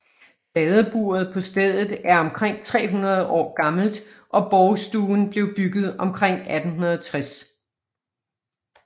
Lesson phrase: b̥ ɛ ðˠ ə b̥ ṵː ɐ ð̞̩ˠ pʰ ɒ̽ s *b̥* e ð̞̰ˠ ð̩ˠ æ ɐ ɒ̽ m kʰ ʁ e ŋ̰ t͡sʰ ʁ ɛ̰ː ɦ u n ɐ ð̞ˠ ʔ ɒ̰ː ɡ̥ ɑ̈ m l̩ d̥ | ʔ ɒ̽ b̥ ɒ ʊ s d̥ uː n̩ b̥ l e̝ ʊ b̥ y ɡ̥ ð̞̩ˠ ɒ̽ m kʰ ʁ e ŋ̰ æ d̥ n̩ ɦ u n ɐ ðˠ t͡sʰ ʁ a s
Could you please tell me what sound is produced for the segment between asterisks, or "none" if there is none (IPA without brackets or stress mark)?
d̥